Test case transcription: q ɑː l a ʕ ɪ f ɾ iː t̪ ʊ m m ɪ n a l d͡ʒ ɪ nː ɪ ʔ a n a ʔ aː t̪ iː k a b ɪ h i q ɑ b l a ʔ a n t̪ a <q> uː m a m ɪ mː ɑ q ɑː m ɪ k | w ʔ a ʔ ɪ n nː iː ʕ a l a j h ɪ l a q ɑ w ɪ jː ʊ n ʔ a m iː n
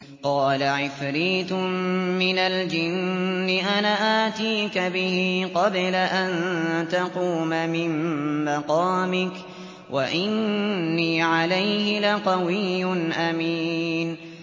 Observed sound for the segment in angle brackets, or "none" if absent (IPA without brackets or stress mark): q